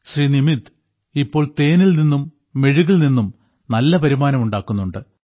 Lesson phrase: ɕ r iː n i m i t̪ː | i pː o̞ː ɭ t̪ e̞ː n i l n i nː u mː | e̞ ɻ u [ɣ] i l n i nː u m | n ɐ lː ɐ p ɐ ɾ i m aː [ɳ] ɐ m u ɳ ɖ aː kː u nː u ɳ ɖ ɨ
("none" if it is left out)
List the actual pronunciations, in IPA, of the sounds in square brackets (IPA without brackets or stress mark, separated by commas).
ɣ, n